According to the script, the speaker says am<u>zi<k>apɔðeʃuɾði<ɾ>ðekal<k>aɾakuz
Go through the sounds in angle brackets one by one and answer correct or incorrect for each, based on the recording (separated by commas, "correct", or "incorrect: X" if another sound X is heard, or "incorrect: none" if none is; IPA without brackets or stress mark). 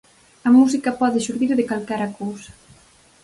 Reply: correct, correct, correct, correct